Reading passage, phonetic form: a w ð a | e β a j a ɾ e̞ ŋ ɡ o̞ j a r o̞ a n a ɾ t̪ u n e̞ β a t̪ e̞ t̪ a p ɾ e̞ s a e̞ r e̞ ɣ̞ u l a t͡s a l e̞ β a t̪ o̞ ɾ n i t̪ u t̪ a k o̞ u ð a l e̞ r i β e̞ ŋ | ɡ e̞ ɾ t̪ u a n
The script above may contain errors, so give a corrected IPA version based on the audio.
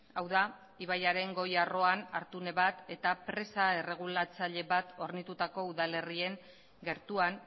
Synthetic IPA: a w ð a | i β a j a ɾ e̞ ŋ ɡ o̞ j a r o̞ a n a ɾ t̪ u n e̞ β a t̪ e̞ t̪ a p ɾ e̞ s a e̞ r e̞ ɣ̞ u l a t͡s a ʎ e̞ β a t̪ o̞ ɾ n i t̪ u t̪ a k o̞ u ð a l e̞ r i e̞ ŋ | ɡ e̞ ɾ t̪ u a n